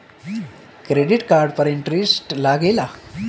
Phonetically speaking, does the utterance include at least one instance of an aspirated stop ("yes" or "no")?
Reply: no